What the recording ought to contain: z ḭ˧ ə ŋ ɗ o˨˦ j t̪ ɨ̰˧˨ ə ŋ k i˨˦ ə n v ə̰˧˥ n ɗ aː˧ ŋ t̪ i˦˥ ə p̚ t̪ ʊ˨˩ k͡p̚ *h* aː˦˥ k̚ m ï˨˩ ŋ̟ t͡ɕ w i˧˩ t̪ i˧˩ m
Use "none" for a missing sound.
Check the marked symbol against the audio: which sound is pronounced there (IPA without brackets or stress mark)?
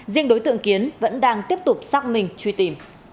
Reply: s